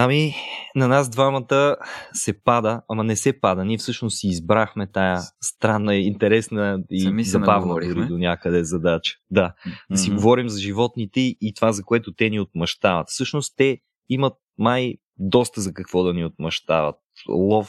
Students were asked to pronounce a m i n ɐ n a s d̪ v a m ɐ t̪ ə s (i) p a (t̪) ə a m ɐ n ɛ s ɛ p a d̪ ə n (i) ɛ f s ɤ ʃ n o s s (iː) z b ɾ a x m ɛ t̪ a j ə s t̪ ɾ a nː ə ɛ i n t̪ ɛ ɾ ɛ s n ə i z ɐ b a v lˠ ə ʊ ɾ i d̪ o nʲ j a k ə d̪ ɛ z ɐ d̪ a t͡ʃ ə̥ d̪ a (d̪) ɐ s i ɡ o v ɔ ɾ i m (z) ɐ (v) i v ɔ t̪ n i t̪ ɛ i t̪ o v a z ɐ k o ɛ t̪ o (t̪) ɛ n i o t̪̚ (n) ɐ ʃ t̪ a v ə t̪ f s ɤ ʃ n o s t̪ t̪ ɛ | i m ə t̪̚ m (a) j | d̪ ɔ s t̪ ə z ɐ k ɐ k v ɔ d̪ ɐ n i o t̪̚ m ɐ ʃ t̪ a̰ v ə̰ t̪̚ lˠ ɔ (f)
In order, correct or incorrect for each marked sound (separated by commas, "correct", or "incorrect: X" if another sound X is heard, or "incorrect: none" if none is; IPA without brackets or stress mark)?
incorrect: ɛ, incorrect: d̪, correct, correct, correct, correct, incorrect: ʒ, correct, incorrect: m, correct, correct